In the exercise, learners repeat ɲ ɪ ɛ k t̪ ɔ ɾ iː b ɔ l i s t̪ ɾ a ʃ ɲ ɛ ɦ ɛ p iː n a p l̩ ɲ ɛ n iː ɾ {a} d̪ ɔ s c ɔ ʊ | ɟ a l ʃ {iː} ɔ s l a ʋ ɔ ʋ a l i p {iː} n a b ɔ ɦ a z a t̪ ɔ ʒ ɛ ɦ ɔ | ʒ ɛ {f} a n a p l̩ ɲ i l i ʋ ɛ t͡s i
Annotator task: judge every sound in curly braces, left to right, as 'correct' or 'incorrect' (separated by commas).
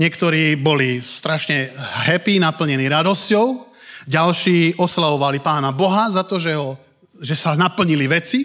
correct, correct, incorrect, incorrect